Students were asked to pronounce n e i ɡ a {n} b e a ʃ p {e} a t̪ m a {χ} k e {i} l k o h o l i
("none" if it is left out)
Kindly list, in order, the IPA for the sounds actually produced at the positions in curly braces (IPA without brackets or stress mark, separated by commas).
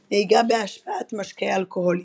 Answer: none, a, ʃ, a